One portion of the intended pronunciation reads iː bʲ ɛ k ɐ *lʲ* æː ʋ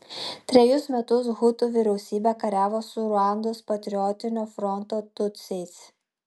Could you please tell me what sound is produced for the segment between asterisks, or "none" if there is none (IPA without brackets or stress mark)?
ɾʲ